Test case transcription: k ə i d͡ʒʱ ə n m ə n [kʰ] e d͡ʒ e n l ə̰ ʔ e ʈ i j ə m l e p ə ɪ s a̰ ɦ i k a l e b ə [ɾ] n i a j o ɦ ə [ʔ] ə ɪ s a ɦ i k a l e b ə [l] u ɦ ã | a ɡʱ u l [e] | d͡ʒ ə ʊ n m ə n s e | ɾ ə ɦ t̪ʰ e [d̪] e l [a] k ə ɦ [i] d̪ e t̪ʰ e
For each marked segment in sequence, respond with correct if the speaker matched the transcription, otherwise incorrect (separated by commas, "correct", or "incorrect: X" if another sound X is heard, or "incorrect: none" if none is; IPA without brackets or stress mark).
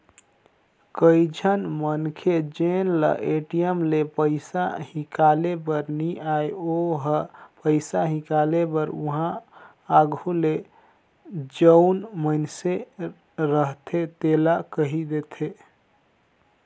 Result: correct, correct, incorrect: p, incorrect: ɾ, correct, incorrect: t̪, correct, correct